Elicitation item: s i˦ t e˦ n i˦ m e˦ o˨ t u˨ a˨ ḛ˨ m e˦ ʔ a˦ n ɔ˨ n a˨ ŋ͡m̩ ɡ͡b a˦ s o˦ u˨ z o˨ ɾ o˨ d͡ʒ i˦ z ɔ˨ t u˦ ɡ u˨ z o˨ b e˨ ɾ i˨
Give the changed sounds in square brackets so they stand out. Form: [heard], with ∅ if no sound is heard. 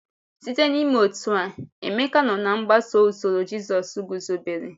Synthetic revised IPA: s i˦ t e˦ n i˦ m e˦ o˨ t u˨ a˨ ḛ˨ m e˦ [k] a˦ n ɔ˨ n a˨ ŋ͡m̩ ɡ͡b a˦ s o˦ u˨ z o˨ ɾ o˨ d͡ʒ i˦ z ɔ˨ [s] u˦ ɡ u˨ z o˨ b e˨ ɾ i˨